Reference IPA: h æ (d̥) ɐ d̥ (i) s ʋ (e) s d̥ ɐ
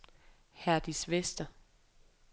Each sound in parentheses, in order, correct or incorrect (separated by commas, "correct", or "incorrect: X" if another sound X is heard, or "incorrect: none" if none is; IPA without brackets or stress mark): incorrect: none, correct, correct